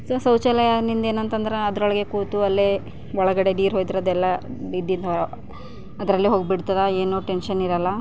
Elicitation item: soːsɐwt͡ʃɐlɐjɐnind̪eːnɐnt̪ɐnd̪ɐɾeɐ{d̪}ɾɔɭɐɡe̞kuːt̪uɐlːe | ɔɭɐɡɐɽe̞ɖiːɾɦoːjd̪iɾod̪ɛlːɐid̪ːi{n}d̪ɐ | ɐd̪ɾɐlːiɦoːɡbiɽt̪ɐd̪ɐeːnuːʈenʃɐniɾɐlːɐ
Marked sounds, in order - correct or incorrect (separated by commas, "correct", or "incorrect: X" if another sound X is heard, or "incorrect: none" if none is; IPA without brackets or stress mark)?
correct, correct